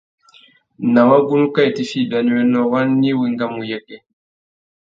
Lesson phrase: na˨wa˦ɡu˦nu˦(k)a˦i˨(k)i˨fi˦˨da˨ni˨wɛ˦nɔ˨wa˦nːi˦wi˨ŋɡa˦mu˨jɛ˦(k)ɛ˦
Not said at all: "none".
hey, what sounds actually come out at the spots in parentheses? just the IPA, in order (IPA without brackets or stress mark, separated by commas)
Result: k, t, k